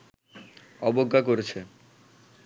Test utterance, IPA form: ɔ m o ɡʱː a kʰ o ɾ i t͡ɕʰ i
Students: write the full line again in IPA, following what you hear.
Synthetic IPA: ɔ b o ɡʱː a k o ɾ e t͡ɕʰ e